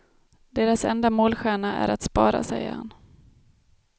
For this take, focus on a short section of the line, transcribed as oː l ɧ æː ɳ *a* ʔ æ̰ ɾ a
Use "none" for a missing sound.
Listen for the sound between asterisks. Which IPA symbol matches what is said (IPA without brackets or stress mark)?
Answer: a